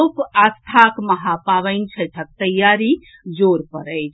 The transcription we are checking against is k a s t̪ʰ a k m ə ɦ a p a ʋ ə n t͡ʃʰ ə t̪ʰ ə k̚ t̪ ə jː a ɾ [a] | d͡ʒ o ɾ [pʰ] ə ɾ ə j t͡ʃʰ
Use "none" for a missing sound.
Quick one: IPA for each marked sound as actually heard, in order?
i, p

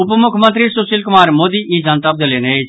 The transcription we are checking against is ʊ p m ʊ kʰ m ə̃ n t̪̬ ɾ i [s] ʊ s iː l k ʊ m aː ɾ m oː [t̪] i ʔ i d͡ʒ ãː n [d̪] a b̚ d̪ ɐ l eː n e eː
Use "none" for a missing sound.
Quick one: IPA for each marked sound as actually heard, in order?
s, d̪, t̪

